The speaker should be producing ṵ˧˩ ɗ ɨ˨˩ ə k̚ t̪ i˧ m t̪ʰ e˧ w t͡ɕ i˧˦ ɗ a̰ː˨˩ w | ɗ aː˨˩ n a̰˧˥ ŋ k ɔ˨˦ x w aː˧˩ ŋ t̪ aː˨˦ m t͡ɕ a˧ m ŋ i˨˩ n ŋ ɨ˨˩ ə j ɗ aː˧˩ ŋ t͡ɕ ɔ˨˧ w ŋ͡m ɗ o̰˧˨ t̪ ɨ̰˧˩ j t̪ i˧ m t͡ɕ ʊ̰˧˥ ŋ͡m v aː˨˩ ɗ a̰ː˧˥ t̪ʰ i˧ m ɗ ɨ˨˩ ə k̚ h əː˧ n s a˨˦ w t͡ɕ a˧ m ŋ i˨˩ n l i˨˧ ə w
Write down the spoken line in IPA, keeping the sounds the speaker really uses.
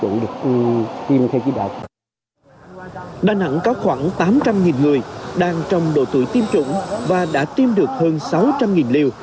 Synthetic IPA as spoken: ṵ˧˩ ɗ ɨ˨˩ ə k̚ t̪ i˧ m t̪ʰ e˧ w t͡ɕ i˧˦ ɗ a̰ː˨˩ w | ɗ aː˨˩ n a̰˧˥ ŋ k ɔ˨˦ x w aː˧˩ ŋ t̪ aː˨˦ m t͡ɕ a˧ m ŋ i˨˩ n ŋ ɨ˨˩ ə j ɗ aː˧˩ ŋ t͡ɕ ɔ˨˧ w ŋ͡m ɗ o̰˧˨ t̪ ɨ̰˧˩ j t̪ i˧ m t͡ɕ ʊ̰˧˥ ŋ͡m v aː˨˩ ɗ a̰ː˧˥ t̪ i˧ m ɗ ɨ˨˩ ə k̚ h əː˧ n s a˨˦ w t͡ɕ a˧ m ŋ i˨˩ n l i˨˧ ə w